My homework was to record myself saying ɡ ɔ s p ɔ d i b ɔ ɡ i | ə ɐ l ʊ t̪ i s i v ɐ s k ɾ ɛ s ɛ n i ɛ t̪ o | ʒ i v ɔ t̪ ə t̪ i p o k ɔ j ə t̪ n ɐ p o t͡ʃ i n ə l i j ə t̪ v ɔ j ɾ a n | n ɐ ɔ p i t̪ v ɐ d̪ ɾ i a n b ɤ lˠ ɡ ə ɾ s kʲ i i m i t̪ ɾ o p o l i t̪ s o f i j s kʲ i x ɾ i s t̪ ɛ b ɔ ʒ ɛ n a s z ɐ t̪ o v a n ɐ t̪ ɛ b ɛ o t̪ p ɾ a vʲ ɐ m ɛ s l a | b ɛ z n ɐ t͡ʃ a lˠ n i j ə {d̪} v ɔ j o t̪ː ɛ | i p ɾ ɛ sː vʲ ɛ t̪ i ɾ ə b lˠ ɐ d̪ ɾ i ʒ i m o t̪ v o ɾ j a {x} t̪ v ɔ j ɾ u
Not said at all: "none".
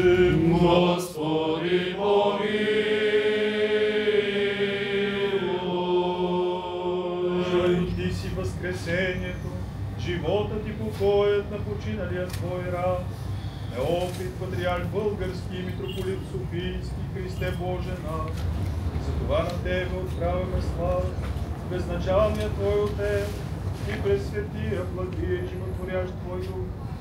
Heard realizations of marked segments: t̪, ʃ

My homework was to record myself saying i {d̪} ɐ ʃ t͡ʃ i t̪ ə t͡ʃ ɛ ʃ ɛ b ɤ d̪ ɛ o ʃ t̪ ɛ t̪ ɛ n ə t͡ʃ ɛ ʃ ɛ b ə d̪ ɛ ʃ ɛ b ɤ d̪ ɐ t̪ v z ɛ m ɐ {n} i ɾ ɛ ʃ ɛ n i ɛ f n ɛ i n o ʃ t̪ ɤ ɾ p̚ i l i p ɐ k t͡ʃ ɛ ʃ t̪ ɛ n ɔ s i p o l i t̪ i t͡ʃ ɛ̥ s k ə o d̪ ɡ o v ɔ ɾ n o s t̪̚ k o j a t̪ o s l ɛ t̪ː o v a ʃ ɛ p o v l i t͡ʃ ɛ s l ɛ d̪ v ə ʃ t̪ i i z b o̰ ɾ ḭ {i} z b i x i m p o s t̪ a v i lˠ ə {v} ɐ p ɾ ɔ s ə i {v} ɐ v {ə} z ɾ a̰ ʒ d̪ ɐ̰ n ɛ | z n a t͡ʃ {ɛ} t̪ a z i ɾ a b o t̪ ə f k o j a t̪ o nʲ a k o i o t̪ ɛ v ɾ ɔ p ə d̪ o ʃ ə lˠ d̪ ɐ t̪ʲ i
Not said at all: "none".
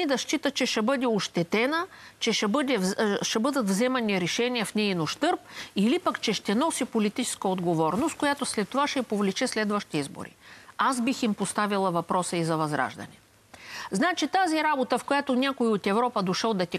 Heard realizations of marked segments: d̪, n, a, v, z, ɐ, i

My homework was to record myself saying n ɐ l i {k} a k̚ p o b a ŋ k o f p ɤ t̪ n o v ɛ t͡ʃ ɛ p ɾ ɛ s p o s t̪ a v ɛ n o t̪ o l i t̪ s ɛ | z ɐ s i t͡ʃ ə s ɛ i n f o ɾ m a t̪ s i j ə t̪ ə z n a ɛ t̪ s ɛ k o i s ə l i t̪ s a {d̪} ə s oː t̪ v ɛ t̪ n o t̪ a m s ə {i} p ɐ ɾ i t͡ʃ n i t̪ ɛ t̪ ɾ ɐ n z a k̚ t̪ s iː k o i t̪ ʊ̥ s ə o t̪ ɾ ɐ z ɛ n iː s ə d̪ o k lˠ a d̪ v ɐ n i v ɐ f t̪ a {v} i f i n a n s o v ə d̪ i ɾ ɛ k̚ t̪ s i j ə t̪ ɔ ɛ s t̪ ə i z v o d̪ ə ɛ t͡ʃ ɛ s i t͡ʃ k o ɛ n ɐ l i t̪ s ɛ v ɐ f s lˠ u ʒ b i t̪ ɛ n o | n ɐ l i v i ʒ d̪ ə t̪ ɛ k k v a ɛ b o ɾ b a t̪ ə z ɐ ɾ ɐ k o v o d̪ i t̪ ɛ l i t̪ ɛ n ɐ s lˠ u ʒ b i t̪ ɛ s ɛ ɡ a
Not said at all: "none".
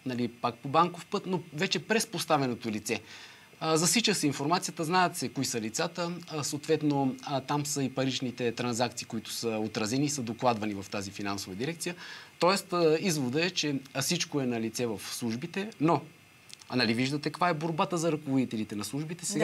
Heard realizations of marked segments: p, t̪, i, z

